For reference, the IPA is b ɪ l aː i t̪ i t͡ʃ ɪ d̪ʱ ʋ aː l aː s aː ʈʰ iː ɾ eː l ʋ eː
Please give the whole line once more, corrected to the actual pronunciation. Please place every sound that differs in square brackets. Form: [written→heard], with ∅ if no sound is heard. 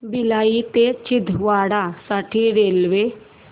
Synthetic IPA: b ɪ l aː i t̪ [i→e] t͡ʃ ɪ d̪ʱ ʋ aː [l→ɽ] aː s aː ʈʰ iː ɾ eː l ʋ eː